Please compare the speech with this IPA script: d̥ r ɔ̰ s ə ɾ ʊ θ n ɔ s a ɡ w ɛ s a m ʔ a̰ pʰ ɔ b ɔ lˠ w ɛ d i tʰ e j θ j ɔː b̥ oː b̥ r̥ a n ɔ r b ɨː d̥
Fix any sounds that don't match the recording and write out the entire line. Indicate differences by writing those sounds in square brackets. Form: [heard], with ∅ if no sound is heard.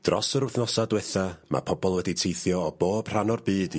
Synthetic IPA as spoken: d̥ r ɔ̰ s ə ɾ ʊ θ n ɔ s a [d] w ɛ [θ] a m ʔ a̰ pʰ ɔ b ɔ lˠ w ɛ d i tʰ e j θ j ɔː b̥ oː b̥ r̥ a n ɔ r b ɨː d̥

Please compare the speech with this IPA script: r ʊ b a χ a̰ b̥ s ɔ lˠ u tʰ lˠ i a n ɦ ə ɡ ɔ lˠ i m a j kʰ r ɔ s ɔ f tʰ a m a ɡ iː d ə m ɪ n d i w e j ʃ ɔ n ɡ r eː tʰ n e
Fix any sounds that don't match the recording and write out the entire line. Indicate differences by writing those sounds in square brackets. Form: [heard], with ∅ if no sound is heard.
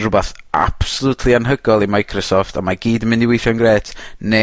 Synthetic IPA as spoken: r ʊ b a [θ] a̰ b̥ s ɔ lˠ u tʰ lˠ i a n ɦ ə ɡ ɔ lˠ i m a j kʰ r ɔ s ɔ f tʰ a m a ɡ iː d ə m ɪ n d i w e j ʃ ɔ n ɡ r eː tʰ n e

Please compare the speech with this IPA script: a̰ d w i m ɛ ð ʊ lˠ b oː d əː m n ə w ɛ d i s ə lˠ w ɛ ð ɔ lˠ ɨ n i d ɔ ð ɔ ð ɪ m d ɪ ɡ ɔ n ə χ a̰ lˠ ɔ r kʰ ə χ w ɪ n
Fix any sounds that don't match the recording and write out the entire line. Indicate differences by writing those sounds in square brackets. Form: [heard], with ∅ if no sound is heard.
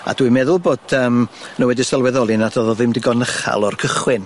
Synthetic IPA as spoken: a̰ d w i m ɛ ð ʊ lˠ b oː d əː m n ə w ɛ d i s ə lˠ w ɛ ð ɔ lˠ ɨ n [a] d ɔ ð ɔ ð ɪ m d ɪ ɡ ɔ n ə χ a̰ lˠ ɔ r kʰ ə χ w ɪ n

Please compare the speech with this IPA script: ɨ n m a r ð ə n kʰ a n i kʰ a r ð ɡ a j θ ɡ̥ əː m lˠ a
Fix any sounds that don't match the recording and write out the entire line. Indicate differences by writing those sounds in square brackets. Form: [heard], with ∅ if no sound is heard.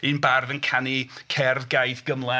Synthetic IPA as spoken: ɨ n [b] a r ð ə n kʰ a n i kʰ [ɛ] r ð ɡ a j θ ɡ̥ [ə] m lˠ a

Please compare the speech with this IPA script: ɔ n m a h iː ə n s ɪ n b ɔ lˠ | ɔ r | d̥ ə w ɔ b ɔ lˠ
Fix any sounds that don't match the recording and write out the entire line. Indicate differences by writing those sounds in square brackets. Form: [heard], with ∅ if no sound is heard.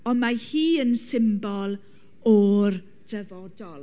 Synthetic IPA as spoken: ɔ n m a h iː ə n s ɪ [m] b ɔ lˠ | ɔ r | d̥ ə [v] ɔ [d] ɔ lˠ

